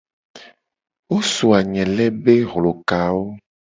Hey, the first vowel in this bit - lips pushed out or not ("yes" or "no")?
yes